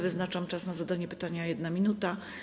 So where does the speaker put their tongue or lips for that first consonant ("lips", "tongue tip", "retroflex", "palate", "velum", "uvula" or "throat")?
lips